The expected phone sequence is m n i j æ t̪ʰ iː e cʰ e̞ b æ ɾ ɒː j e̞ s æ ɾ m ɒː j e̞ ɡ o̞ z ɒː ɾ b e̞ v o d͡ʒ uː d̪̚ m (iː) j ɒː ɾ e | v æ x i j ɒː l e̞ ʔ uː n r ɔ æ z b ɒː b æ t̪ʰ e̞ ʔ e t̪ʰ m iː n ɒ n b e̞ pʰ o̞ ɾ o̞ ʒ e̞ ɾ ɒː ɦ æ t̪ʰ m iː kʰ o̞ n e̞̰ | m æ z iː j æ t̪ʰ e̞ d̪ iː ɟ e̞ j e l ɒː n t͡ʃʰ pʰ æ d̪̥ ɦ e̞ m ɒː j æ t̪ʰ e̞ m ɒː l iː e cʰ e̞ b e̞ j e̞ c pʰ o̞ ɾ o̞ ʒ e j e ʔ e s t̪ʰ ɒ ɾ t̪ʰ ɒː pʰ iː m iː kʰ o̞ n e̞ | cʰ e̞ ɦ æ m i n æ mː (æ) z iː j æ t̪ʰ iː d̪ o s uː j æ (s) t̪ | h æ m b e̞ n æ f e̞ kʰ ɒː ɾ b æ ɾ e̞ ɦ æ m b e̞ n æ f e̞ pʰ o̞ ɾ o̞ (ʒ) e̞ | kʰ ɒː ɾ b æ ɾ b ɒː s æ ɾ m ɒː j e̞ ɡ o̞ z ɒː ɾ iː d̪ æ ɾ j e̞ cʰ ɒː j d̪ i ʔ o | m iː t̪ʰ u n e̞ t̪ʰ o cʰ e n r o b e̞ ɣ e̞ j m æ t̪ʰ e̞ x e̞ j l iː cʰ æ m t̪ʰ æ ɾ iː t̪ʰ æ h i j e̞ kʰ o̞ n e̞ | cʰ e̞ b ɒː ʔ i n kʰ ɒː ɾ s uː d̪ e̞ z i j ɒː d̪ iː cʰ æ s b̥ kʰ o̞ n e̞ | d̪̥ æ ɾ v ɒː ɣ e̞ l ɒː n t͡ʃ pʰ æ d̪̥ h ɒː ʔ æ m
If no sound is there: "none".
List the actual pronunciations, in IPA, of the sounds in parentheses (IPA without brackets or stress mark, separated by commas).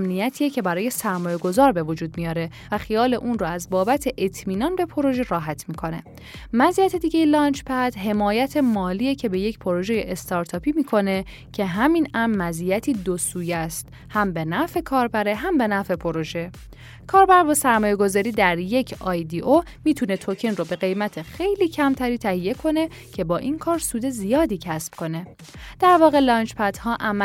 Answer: i, æ, s, ʒ